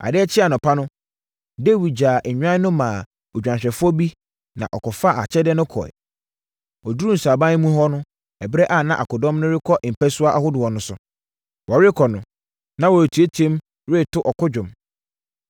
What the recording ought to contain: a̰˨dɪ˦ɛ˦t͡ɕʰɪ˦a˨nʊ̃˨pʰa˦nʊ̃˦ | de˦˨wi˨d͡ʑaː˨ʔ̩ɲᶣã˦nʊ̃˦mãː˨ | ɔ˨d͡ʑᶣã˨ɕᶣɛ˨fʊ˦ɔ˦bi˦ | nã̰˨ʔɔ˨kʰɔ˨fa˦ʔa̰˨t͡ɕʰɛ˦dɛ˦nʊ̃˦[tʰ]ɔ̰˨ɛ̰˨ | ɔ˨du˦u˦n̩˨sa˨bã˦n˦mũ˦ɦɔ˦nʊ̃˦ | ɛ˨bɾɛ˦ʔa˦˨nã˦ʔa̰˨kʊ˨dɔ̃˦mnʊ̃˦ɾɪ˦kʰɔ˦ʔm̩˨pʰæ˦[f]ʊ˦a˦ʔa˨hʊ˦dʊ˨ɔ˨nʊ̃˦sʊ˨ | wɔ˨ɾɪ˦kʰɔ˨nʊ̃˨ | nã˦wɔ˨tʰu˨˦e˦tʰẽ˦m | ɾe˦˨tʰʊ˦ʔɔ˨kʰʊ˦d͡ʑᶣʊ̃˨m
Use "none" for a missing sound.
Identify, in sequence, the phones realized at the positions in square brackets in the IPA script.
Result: kʰ, s

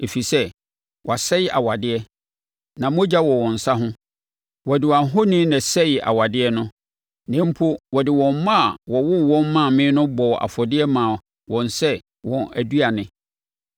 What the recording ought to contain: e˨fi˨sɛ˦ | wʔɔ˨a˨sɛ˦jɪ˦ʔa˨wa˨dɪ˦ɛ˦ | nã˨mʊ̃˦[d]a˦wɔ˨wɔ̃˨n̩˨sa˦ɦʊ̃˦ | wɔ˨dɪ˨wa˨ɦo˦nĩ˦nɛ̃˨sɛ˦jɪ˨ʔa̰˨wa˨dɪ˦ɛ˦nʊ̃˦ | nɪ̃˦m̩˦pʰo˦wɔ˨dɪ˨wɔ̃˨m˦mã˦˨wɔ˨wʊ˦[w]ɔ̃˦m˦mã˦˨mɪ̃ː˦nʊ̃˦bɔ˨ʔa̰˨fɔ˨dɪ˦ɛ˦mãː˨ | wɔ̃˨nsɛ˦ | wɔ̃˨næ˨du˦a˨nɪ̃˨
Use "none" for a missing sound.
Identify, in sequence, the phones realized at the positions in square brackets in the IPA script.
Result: d͡ʑ, w

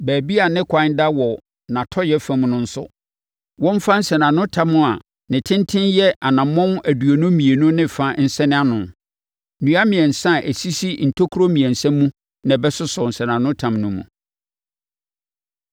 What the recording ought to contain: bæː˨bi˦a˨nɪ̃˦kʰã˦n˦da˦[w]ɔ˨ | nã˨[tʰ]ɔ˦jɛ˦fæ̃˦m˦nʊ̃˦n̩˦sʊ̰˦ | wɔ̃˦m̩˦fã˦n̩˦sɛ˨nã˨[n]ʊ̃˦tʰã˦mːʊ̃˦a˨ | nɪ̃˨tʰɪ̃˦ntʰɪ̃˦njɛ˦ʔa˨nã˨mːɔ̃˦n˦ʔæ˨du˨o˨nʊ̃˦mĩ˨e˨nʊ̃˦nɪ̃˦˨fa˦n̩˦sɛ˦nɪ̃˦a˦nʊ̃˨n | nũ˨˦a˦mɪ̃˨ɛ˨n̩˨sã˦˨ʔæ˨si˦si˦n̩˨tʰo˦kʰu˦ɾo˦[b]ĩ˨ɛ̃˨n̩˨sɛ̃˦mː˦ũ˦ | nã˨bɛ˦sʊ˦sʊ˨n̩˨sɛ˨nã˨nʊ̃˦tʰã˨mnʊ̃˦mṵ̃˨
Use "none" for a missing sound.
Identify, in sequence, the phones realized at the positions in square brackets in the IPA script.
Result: w, tʰ, n, m

